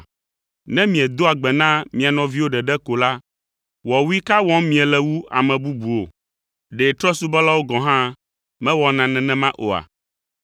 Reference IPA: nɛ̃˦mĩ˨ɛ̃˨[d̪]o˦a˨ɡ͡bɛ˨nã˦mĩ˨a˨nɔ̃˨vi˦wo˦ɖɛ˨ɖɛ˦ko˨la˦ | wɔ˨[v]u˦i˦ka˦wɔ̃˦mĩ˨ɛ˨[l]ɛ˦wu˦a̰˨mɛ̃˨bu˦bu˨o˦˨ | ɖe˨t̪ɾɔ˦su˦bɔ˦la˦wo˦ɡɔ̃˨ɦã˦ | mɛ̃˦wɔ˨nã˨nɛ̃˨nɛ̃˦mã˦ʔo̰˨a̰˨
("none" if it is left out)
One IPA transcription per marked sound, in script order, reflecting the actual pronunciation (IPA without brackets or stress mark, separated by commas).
d̪, w, l